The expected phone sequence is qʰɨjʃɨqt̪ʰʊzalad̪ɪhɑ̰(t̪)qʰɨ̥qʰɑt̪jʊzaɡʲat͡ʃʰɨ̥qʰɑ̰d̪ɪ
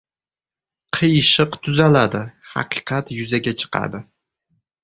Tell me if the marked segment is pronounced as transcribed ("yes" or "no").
no